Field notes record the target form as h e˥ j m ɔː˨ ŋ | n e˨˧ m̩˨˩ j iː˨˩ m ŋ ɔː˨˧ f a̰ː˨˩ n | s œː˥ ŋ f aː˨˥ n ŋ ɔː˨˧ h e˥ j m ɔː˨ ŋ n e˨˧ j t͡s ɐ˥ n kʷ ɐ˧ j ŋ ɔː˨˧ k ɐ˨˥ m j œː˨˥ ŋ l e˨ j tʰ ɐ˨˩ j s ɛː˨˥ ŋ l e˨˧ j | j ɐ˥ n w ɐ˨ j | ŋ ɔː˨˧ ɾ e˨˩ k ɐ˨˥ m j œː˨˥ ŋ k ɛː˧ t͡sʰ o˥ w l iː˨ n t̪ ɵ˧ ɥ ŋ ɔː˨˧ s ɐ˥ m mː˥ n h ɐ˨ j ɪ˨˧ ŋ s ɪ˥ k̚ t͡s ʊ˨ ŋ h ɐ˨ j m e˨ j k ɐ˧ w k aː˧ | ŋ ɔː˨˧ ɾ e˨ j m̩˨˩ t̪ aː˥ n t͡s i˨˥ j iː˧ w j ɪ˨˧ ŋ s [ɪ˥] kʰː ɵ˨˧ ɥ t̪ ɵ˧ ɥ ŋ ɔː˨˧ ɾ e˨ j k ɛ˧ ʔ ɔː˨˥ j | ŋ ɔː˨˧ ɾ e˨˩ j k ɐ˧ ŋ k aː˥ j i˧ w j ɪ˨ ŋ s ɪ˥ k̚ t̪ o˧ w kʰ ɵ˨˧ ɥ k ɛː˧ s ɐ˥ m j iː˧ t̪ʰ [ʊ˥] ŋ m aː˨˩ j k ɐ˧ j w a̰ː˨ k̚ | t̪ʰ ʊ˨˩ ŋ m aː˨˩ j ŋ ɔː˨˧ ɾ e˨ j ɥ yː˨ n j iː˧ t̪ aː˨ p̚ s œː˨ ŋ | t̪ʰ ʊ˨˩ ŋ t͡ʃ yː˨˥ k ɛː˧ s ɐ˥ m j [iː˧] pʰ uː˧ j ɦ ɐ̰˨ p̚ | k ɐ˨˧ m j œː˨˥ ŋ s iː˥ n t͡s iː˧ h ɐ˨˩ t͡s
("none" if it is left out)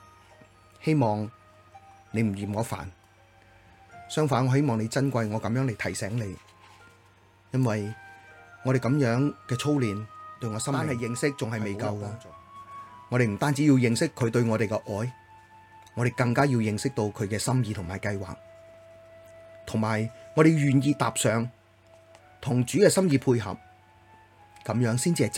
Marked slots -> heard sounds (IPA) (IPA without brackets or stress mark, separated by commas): ɪ˥, ʊ˨˩, iː˧